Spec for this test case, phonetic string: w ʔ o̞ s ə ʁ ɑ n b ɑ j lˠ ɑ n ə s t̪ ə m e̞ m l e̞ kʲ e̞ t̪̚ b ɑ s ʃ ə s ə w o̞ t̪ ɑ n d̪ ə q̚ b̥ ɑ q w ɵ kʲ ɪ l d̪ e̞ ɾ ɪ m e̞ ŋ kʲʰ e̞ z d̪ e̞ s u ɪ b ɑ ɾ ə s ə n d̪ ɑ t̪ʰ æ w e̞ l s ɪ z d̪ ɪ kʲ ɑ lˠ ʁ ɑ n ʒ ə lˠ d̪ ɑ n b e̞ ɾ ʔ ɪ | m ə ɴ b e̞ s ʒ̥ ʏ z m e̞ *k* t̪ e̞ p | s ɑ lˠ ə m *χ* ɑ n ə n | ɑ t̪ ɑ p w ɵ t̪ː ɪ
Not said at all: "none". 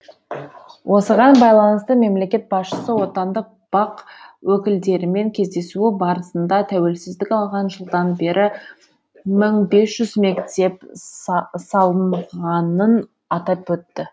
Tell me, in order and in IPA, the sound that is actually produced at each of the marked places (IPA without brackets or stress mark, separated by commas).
k, ʁ